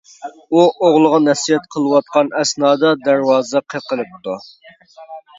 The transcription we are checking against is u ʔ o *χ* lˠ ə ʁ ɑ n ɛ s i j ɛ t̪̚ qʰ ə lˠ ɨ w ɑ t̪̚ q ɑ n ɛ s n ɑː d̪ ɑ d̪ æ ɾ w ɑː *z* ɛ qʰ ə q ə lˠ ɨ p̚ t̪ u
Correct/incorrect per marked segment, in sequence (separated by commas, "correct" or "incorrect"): incorrect, correct